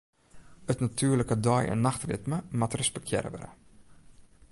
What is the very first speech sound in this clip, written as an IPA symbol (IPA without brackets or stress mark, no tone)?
ə